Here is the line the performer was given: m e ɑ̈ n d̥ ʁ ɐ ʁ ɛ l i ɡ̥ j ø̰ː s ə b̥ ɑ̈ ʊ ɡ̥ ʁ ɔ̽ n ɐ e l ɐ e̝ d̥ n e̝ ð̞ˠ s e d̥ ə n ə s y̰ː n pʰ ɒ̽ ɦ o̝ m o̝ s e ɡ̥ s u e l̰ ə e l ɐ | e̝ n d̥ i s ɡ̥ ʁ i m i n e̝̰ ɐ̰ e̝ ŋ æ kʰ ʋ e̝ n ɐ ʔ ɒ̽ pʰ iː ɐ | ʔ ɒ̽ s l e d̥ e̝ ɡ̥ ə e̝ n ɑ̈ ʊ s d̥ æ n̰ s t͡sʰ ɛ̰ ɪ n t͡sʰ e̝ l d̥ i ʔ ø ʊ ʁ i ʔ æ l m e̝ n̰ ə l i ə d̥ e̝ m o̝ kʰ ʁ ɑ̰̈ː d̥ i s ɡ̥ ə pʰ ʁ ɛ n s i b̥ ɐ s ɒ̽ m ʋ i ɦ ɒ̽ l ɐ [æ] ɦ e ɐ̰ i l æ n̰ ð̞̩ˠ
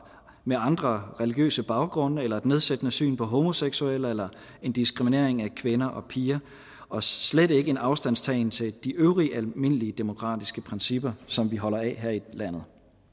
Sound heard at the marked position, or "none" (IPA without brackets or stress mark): ɛ